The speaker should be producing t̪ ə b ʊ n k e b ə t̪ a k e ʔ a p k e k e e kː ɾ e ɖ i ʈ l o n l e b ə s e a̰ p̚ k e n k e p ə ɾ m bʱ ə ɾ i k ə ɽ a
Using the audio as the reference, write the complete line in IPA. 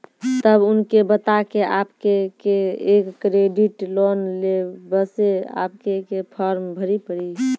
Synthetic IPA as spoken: t̪ ə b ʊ n k e b ə t̪ a k e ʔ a p k e k e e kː ɾ e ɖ i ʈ l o n l e b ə s e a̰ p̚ k e k e pʰ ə ɾ m bʱ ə ɾ i p ə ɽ i